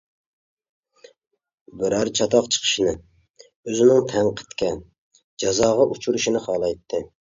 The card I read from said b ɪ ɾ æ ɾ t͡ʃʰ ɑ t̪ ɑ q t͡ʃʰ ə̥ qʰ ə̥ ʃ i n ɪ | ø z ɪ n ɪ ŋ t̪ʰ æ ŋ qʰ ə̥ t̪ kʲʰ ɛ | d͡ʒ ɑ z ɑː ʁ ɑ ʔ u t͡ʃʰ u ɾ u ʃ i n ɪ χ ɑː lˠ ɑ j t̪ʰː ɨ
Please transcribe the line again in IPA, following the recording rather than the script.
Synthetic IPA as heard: b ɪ ɾ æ ɾ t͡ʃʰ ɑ t̪ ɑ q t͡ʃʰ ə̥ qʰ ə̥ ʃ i n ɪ | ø z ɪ n ɪ ŋ t̪ʰ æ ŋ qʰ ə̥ t̪ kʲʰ ɛ | d͡ʒ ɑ z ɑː ʁ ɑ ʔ u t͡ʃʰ u ɾ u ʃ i n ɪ χ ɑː lˠ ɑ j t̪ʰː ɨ